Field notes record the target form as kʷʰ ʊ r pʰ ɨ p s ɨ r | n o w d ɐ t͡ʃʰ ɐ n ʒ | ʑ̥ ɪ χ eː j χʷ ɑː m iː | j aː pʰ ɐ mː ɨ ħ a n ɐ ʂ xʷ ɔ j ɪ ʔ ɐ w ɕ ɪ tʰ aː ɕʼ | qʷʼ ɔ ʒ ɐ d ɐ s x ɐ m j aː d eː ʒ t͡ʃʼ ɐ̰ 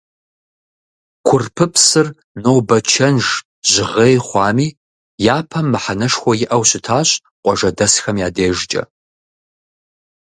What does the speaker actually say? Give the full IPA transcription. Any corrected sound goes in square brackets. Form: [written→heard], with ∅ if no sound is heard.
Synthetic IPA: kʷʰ ʊ r pʰ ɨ p s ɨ r | n o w [d→b] ɐ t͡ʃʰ ɐ n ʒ | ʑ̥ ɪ [χ→ʁ] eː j χʷ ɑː m iː | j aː pʰ ɐ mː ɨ ħ a n ɐ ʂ xʷ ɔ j ɪ ʔ ɐ w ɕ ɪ tʰ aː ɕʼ | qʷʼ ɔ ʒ ɐ d ɐ s x ɐ m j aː d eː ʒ t͡ʃʼ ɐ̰